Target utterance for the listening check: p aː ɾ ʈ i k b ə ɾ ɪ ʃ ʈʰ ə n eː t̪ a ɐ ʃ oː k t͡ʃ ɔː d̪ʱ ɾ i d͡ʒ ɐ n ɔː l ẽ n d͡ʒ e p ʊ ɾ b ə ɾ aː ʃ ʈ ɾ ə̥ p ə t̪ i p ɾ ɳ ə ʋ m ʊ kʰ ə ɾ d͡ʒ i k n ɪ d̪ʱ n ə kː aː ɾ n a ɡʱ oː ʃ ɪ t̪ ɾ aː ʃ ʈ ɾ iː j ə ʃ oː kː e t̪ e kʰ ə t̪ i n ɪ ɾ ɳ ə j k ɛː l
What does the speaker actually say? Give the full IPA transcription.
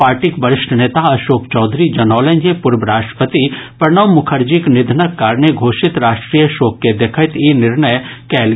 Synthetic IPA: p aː ɾ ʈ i k b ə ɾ ɪ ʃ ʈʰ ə n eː t̪ a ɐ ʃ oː k t͡ʃ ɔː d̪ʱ ɾ i d͡ʒ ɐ n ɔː l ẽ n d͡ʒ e p ʊ ɾ b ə ɾ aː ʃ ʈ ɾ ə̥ p ə t̪ i p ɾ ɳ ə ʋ m ʊ kʰ ə ɾ d͡ʒ i k n ɪ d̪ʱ n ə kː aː ɾ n e ɡʱ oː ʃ ɪ t̪ ɾ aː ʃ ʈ ɾ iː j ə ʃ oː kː e d̪ e kʰ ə t̪ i n ɪ ɾ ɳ ə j k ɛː l